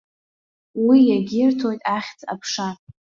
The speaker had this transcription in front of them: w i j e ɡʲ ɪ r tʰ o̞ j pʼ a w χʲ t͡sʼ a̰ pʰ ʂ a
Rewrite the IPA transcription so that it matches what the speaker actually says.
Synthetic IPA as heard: w i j a ɡʲ ɪ r tʰ o̞ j tʼ a χʲ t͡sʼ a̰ pʰ ʂ a

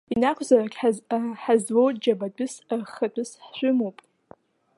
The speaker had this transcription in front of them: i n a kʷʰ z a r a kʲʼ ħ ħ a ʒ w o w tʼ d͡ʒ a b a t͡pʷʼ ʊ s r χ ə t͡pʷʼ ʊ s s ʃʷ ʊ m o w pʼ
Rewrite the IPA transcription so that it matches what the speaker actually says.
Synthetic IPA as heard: i n a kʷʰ z a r a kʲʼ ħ ħ a z w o w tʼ d͡ʒ a b a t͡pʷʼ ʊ s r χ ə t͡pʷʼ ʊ s ħ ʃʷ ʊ m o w pʼ

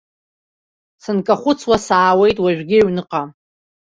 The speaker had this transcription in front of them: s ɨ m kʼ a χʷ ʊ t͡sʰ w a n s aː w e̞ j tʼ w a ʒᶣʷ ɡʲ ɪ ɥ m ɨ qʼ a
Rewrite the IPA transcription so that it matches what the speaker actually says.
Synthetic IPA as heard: s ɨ n kʼ a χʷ ʊ t͡sʰ w a s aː w e̞ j tʼ w a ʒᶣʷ ɡʲ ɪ ɥ n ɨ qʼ a

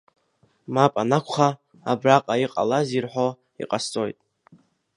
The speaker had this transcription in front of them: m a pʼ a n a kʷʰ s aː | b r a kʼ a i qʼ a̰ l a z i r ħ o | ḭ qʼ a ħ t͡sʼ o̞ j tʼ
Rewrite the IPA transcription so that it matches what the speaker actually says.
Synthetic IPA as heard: m a pʼ a n a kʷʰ χ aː | b r a qʼ a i qʼ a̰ l a z i r ħ o | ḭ qʼ a s t͡sʼ o̞ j tʼ

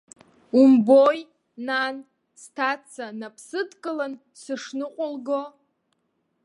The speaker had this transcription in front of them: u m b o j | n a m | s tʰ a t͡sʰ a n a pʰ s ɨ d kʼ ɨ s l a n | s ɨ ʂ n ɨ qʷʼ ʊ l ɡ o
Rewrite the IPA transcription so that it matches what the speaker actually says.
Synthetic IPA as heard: u m b o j | n a n | s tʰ a t͡sʰ a n a pʰ s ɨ d kʼ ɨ l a n | s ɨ ʂ n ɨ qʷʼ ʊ l ɡ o

